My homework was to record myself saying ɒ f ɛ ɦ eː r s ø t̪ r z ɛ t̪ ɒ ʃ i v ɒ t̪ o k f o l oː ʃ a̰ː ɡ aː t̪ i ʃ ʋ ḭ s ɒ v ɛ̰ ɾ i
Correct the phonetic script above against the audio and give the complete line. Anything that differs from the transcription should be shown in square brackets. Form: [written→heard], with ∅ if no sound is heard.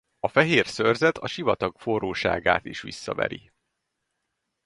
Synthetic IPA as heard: ɒ f ɛ ɦ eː r s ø [t̪→∅] r z ɛ t̪ ɒ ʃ i v ɒ t̪ [o→ɒ] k f o [l→r] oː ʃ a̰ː ɡ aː t̪ i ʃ ʋ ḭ [s→sː] ɒ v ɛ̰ ɾ i